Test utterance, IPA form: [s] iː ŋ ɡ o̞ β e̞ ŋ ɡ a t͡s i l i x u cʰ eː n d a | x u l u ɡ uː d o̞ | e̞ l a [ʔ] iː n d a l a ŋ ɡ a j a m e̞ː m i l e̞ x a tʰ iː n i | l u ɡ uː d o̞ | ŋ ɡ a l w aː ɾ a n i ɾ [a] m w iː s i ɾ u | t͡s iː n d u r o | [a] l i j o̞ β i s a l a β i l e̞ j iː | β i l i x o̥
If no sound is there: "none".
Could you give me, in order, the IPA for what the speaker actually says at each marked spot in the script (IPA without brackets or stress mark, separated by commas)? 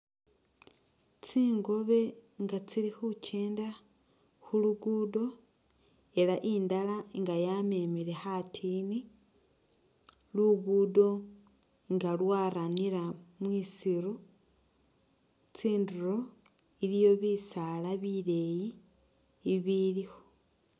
t͡s, ʔ, a, i